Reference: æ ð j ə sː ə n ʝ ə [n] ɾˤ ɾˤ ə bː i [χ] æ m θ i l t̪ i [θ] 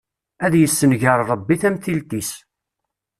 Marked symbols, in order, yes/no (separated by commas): no, no, no